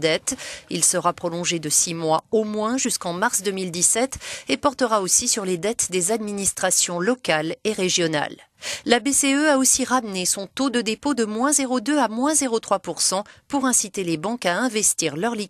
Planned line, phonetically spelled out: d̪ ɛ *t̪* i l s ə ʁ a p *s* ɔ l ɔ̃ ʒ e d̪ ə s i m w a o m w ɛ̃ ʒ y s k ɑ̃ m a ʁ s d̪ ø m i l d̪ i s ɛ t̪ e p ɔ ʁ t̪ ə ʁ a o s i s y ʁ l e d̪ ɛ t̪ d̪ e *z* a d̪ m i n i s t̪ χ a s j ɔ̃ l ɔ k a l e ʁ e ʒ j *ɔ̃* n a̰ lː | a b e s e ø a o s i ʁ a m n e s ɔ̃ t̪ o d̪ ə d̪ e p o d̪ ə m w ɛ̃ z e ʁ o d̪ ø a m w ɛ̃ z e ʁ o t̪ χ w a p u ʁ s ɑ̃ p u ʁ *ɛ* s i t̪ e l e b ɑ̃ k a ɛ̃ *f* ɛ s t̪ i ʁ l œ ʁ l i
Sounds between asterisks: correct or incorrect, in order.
correct, incorrect: χ, correct, incorrect: ɔ, incorrect: ɛ̃, incorrect: v

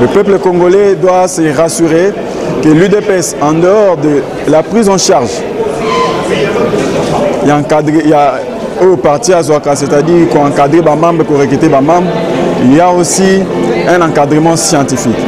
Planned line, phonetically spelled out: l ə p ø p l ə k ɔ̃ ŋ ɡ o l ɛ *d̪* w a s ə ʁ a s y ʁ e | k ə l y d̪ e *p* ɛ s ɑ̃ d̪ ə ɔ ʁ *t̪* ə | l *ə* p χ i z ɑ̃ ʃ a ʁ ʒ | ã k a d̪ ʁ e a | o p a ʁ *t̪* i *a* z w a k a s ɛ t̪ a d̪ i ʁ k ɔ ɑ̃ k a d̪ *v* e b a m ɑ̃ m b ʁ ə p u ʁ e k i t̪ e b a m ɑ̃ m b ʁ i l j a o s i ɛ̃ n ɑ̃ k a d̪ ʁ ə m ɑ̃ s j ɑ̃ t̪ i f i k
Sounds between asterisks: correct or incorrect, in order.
correct, correct, incorrect: d̪, incorrect: a, correct, correct, incorrect: ʁ

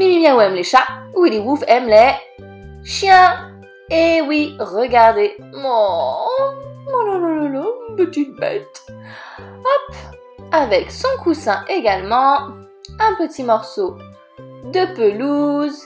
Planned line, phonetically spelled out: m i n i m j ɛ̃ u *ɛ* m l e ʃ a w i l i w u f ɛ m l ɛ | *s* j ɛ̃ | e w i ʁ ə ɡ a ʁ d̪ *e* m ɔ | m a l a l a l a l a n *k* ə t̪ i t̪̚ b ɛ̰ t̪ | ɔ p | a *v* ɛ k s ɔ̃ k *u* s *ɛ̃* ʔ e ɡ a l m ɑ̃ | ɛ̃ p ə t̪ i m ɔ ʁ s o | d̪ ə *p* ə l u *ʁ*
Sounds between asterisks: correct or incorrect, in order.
correct, incorrect: ʃ, correct, incorrect: p, correct, correct, correct, correct, incorrect: z

